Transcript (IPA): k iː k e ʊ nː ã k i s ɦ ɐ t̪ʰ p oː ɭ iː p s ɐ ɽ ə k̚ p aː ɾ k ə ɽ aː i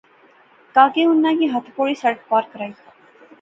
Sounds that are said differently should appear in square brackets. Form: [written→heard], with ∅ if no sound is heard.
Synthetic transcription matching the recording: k [iː→aː] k e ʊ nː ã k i [s→∅] ɦ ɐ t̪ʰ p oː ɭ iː [p→∅] s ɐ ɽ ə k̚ p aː ɾ k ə [ɽ→ɾ] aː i